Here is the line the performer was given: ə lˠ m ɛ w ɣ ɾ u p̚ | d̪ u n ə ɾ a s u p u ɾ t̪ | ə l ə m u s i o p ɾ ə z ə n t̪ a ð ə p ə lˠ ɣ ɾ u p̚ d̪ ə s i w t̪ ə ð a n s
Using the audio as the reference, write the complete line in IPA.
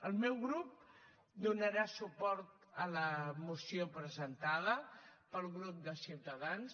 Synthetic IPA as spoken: ə lˠ m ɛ w ɣ ɾ u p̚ | d̪ u n ə ɾ a s u p ɔ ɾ t̪ | ə l ə m u s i o p ɾ ə z ə n t̪ a ð ə p ə lˠ ɣ ɾ u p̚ d̪ ə s i w t̪ ə ð a n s